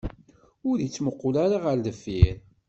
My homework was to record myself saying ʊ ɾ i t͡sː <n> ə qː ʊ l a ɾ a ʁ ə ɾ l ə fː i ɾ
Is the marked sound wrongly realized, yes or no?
yes